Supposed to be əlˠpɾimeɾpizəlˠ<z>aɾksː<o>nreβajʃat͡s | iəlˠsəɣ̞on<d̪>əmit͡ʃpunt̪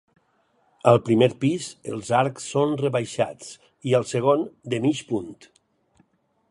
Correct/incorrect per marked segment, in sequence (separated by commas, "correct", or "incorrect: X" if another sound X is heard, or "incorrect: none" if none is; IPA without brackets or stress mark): correct, correct, correct